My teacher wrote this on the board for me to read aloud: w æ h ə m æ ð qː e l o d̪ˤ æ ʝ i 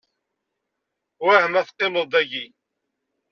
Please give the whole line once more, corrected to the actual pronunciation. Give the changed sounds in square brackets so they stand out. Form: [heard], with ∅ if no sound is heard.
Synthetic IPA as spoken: w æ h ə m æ [θ] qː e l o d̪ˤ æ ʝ i